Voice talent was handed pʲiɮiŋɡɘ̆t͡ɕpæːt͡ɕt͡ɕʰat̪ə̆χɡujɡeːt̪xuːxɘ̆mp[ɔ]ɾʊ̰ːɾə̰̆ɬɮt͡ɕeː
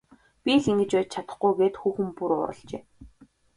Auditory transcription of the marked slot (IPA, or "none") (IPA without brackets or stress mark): u